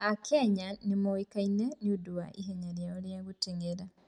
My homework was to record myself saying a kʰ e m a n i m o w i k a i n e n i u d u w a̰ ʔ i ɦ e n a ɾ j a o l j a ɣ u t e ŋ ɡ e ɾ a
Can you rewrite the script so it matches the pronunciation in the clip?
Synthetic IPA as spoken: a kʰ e ɲ a n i m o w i k a i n e n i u d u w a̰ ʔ i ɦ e ɲ a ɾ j a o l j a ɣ u t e ŋ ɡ e ɾ a